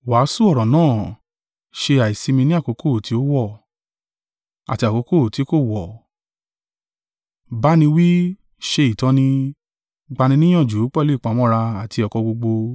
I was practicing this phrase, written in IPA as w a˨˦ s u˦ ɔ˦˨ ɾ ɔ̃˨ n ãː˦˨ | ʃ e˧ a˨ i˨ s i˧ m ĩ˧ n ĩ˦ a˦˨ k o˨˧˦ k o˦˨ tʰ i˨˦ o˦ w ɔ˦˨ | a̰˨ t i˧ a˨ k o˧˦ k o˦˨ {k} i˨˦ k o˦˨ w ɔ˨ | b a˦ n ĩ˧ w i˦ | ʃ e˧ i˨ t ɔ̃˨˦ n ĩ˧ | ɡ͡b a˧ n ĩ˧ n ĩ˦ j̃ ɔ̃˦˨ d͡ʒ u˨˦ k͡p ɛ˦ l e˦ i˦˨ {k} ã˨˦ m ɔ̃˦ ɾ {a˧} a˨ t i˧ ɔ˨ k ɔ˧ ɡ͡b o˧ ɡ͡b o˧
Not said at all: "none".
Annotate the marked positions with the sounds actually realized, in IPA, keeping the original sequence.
t, k͡p, a˧

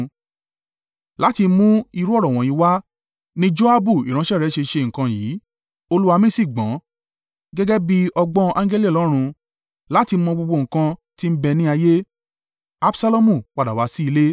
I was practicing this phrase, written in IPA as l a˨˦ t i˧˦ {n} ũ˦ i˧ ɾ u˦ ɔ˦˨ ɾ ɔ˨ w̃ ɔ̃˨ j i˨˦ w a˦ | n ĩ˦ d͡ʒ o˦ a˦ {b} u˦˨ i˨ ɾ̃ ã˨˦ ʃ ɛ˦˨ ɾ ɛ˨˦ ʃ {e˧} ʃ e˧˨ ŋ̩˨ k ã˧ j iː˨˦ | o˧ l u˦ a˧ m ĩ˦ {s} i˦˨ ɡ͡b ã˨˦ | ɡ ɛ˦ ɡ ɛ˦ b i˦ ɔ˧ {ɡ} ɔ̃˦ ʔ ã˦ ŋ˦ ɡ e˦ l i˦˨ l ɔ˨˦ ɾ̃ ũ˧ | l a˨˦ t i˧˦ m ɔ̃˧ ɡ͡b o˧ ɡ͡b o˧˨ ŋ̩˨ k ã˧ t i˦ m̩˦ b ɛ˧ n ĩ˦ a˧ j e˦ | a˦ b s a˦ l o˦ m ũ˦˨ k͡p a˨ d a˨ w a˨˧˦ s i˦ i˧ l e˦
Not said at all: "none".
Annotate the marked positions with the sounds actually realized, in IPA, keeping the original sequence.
m, b, e˧, s, ɡ͡b

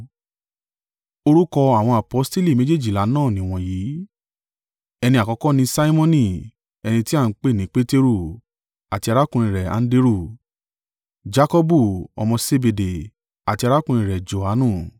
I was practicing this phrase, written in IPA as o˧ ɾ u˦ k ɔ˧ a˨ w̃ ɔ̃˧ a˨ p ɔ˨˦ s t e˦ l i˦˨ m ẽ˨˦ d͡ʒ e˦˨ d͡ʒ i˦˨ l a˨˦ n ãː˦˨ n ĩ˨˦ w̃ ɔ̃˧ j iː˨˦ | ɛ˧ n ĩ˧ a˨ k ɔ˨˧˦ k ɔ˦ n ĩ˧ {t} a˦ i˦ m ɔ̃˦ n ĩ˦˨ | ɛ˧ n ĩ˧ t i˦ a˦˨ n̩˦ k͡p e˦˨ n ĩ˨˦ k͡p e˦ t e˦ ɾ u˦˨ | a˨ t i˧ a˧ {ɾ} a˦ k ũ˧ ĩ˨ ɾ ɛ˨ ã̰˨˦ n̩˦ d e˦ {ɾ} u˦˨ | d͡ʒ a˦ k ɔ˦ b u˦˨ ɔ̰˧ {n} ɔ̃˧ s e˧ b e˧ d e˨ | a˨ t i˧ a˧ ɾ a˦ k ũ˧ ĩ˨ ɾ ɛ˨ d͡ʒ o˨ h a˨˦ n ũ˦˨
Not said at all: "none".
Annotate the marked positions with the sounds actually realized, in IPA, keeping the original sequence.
s, ɾ, ɾ, m

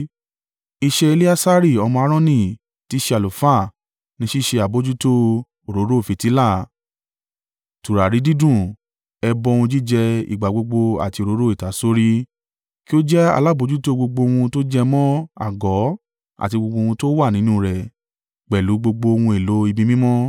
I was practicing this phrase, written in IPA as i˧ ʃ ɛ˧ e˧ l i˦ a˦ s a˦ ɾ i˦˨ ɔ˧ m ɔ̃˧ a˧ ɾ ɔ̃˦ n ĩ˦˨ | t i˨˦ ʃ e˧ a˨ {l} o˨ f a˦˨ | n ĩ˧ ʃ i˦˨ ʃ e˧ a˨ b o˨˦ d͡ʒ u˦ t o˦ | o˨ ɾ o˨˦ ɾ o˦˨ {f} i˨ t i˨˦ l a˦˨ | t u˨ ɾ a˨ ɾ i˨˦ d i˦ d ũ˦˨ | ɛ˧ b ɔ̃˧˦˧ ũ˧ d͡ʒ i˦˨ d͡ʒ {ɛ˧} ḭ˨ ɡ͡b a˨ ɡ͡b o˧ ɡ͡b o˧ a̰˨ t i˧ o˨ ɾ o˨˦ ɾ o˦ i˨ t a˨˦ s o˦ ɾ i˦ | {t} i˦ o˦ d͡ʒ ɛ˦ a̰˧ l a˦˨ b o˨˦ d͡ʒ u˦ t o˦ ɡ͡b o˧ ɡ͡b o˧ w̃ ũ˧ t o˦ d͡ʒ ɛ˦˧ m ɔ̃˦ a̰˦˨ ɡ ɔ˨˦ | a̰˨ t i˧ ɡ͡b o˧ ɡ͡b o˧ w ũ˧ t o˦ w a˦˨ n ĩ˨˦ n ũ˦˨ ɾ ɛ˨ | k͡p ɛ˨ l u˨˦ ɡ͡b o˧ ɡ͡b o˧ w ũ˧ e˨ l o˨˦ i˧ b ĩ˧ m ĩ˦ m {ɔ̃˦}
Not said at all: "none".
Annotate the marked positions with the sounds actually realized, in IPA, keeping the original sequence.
l, f, ɛ˧, k, ɔ̃˦

